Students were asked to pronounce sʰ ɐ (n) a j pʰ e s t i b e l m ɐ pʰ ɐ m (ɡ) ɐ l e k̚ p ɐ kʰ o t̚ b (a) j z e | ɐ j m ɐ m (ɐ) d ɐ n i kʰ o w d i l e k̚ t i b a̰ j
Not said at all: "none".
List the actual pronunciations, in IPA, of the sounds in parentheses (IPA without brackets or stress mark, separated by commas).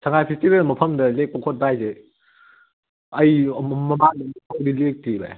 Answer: ŋ, d, a, a